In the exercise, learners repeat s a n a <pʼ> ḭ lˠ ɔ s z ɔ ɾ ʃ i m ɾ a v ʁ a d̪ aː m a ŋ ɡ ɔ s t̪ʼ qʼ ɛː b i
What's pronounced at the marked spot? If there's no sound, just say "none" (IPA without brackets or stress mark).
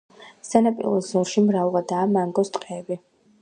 pʼ